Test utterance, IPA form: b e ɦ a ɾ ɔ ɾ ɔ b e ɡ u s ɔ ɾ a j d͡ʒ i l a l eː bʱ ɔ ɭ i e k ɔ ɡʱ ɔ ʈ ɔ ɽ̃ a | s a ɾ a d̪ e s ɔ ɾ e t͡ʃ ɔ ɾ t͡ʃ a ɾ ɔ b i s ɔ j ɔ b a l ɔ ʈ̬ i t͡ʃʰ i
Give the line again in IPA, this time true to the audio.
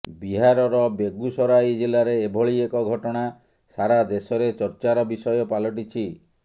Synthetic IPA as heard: b i ɦ a ɾ ɔ ɾ ɔ b e ɡ u s ɔ ɾ a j d͡ʒ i l a ɾ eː bʱ ɔ ɭ i e k ɔ ɡʱ ɔ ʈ ɔ ɽ̃ a | s a ɾ a d̪ e s ɔ ɾ e t͡ʃ ɔ ɾ t͡ʃ a ɾ ɔ b i s ɔ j ɔ p a l ɔ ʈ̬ i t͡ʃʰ i

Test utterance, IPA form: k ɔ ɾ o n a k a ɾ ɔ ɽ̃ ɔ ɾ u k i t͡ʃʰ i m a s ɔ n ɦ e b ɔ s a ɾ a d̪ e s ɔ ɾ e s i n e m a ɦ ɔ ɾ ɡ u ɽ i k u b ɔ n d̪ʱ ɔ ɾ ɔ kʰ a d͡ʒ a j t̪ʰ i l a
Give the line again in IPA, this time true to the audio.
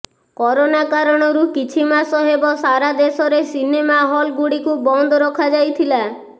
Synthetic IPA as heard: k ɔ ɾ o n a k a ɾ ɔ ɽ̃ ɔ ɾ u k i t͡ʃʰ i m a s ɔ ɦ e b ɔ s a ɾ a d̪ e s ɔ ɾ e s i n e m a ɦ ɔ l ɡ u ɽ i k u b ɔ n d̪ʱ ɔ ɾ ɔ kʰ a d͡ʒ a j t̪ʰ i l a

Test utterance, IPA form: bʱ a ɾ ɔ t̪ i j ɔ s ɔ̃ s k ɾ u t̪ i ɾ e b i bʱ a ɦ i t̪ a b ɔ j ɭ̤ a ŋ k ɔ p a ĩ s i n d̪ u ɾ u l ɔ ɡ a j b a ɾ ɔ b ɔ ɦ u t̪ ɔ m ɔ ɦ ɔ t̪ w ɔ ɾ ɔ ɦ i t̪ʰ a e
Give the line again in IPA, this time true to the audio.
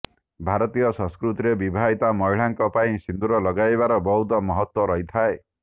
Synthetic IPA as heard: bʱ a ɾ ɔ t̪ i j ɔ s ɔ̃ s k ɾ u t̪ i ɾ e b i bʱ a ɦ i t̪ a m ɔ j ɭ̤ a ŋ k ɔ p a ĩ s i n d̪ u ɾ ɔ l ɔ ɡ a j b a ɾ ɔ b ɔ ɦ u t̪ ɔ m ɔ ɦ ɔ t̪ w ɔ ɾ ɔ ɦ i t̪ʰ a e

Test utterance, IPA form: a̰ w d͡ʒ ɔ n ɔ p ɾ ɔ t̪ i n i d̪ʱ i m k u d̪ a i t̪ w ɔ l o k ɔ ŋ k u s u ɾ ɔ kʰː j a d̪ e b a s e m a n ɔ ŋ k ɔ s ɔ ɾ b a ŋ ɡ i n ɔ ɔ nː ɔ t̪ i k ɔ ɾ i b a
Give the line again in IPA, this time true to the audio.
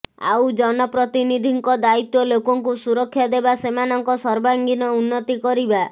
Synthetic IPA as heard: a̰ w d͡ʒ ɔ n ɔ p ɾ ɔ t̪ i n i d̪ʱ i ŋ k ɔ d̪ a i t̪ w ɔ l o k ɔ ŋ k u s u ɾ ɔ kʰː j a d̪ e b a s e m a n ɔ ŋ k ɔ s ɔ ɾ b a ŋ ɡ i n ɔ u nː ɔ t̪ i k ɔ ɾ i b a

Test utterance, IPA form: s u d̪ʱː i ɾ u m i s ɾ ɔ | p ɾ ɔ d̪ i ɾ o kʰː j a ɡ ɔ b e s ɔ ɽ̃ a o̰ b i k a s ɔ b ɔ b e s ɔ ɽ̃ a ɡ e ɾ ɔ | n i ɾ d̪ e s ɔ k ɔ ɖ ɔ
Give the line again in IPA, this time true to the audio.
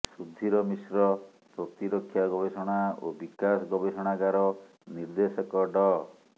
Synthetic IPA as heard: s u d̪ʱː i ɾ ɔ m i s ɾ ɔ | p ɾ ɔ t̪ i ɾ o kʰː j a ɡ ɔ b e s ɔ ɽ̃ a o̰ b i k a s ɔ ɡ ɔ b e s ɔ ɽ̃ a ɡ a ɾ ɔ | n i ɾ d̪ e s ɔ k ɔ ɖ ɔ

